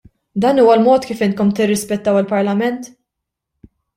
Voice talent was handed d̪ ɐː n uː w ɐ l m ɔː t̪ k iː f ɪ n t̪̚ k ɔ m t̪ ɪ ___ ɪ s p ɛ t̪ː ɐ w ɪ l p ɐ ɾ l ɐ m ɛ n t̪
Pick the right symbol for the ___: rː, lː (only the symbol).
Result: rː